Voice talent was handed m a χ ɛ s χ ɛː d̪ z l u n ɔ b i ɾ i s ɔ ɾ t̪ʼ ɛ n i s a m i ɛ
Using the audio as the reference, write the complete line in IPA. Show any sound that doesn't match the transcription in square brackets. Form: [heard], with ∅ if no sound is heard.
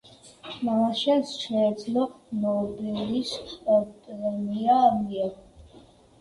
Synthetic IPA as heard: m a [ʃ] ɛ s [ʃ] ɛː d̪ z l [ɔ] n ɔ b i [l] i s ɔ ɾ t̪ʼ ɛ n i [∅] a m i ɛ